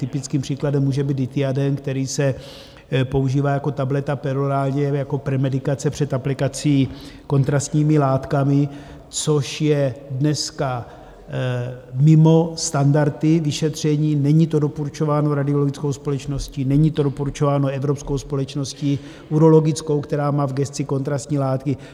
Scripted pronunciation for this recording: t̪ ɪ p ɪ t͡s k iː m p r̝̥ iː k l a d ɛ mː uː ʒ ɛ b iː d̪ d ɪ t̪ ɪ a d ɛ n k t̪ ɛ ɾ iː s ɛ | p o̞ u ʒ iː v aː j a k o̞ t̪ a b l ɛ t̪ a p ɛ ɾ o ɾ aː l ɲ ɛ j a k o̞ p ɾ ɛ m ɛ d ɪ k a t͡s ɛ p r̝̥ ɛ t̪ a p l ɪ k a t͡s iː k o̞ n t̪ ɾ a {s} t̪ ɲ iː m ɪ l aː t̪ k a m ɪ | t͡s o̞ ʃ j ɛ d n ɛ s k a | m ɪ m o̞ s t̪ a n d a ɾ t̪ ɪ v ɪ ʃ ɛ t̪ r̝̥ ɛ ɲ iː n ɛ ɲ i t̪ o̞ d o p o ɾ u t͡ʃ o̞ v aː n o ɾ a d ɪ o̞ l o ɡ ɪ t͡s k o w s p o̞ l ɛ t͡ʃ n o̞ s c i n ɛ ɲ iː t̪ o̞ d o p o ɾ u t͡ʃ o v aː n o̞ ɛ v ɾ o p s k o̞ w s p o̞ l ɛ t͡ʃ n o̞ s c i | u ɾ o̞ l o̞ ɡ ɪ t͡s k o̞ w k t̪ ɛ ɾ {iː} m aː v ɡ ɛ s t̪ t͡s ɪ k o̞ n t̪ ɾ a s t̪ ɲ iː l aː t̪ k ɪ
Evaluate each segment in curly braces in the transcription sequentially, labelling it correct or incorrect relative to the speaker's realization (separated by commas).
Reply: correct, incorrect